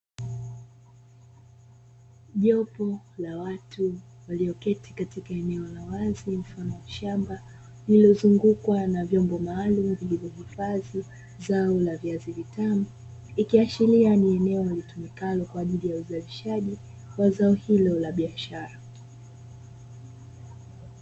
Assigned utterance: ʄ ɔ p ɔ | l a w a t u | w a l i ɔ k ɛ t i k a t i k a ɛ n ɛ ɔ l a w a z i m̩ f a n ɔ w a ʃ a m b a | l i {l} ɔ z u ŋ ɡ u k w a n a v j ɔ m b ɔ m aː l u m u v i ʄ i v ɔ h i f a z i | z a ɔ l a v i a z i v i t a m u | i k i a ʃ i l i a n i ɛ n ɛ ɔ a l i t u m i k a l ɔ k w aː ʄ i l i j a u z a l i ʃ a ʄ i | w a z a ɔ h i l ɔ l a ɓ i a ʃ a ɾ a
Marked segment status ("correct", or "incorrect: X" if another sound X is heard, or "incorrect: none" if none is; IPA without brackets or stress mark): correct